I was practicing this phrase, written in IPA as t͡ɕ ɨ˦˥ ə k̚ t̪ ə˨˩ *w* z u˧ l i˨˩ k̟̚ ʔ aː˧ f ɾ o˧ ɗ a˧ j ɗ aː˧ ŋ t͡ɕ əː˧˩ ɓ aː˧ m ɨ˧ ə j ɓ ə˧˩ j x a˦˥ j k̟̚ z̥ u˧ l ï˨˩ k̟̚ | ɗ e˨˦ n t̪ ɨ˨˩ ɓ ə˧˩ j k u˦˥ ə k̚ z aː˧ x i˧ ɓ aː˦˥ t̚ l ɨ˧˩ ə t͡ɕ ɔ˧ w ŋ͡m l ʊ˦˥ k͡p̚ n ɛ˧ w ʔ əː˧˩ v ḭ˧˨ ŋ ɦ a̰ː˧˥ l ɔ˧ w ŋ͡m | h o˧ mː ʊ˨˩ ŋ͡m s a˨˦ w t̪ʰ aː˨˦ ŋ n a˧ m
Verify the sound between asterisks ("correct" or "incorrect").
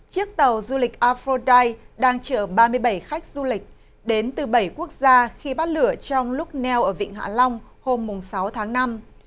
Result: correct